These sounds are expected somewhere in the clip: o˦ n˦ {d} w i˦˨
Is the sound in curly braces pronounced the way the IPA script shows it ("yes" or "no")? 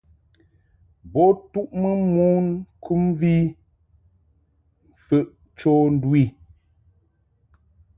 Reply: yes